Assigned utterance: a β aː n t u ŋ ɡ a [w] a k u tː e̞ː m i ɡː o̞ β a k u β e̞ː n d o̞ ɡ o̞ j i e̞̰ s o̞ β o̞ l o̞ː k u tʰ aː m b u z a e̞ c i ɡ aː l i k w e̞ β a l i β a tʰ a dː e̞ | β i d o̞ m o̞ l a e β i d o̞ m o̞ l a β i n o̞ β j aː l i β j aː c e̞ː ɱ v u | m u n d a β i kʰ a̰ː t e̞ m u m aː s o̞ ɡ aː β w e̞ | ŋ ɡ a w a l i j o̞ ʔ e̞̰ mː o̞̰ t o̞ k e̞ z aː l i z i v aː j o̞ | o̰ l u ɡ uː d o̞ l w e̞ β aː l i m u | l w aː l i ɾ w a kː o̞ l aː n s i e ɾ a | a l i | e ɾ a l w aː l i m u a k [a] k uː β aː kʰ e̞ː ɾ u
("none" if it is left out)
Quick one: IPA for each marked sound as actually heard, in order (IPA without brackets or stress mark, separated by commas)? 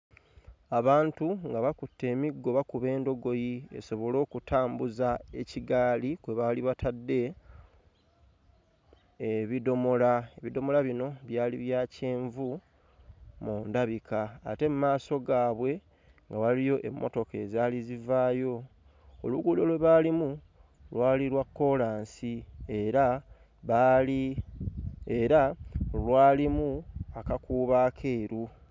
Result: β, a